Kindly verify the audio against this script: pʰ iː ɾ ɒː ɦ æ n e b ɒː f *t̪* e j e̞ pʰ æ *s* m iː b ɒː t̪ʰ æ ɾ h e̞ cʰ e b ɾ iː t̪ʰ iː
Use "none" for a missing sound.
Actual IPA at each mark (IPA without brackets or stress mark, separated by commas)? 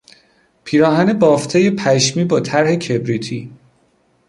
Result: t̪ʰ, ʃ